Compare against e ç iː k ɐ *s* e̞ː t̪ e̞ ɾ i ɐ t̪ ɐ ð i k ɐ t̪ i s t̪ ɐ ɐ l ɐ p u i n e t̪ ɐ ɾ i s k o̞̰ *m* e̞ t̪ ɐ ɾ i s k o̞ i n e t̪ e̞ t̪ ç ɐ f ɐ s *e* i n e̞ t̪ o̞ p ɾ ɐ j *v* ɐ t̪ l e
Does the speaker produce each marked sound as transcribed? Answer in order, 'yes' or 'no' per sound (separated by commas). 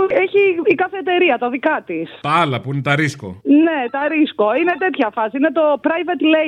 no, no, no, yes